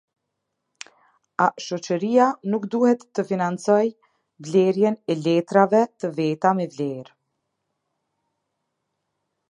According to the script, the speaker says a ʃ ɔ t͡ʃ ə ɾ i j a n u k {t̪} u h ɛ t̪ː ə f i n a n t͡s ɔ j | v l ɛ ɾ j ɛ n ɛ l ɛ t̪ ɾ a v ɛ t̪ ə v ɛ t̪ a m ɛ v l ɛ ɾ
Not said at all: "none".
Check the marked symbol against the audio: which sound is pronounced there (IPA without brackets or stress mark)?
d̪